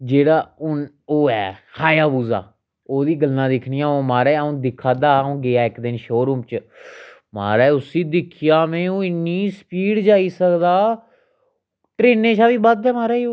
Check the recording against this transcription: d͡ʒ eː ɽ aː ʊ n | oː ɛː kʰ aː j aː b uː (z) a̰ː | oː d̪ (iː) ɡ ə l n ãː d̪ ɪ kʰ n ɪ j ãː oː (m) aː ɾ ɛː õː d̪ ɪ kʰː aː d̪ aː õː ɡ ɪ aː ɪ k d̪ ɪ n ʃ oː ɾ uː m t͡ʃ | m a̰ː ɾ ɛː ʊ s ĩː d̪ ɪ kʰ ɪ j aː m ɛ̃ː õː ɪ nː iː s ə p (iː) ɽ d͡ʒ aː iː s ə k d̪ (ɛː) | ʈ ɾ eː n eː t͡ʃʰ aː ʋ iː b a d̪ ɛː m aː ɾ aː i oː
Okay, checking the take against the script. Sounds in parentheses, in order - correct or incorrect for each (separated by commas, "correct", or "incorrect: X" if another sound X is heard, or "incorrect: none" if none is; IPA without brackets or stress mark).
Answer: correct, correct, correct, correct, incorrect: aː